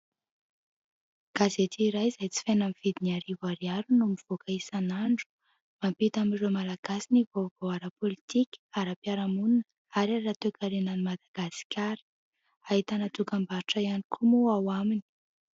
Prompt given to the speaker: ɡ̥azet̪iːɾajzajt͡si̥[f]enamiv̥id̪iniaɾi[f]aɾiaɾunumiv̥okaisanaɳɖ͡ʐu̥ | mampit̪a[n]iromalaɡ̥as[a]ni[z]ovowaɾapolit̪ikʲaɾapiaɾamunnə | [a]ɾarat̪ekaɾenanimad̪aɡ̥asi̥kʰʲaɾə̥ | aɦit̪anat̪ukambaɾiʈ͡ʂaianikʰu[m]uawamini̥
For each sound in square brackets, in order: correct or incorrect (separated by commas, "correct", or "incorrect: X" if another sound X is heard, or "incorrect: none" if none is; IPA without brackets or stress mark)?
correct, incorrect: v, incorrect: m, incorrect: i, incorrect: v, correct, correct